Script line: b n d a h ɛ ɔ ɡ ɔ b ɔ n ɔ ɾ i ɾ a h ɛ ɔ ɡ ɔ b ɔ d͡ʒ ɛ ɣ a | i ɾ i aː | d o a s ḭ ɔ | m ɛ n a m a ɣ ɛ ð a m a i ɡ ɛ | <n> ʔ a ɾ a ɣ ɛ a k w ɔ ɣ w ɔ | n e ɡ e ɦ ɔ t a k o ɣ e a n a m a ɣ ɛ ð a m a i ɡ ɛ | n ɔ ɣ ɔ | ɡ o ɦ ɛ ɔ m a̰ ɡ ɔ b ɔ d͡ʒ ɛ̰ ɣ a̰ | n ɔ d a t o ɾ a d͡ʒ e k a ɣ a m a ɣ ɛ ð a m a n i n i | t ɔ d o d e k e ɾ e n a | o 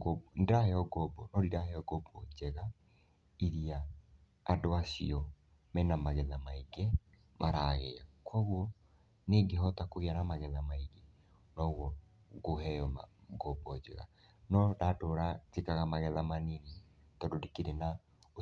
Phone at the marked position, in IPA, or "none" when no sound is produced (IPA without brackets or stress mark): m